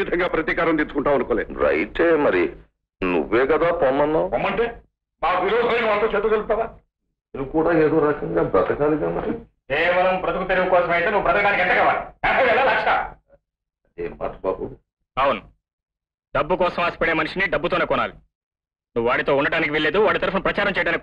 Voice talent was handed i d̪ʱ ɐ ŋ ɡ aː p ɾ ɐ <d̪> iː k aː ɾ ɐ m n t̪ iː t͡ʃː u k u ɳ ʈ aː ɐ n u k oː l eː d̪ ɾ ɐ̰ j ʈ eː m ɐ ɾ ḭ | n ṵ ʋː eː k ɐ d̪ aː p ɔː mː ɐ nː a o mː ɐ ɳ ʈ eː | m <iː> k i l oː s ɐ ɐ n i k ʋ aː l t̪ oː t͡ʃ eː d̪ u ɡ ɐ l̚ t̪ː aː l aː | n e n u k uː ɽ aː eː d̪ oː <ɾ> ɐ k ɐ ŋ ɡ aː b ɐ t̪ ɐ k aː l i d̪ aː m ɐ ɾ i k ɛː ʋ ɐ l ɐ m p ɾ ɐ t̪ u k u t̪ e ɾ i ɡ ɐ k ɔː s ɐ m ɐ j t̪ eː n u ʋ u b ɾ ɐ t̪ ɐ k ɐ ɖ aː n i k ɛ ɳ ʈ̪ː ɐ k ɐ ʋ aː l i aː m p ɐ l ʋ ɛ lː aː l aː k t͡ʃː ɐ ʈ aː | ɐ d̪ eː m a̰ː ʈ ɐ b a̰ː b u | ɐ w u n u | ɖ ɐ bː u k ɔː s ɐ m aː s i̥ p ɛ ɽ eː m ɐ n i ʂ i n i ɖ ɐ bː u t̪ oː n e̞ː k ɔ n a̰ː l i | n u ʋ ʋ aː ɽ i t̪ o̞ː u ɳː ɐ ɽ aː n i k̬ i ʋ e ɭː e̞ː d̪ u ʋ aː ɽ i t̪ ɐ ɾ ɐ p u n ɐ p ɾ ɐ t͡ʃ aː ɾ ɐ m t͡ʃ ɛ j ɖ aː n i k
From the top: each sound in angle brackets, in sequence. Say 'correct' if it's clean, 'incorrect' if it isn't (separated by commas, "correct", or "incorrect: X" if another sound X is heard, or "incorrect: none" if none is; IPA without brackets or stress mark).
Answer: incorrect: t̪, incorrect: aː, correct